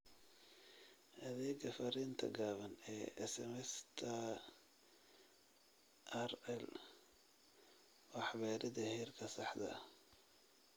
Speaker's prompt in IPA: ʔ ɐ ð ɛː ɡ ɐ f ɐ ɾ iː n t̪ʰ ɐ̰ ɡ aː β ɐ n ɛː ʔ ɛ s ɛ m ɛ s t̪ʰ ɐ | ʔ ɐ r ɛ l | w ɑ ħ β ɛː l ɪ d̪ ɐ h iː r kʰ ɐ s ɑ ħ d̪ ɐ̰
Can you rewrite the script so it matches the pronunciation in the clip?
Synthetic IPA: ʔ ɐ ð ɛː ɡ ɐ f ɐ ɾ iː n t̪ʰ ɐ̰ ɡ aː β ɐ n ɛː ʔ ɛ s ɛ m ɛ s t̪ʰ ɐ | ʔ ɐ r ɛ l | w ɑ ħ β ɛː ɾ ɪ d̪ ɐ h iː r kʰ ɐ s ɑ ħ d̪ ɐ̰